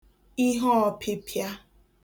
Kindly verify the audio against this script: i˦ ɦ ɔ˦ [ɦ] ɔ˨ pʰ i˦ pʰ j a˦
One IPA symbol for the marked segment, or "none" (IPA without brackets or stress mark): none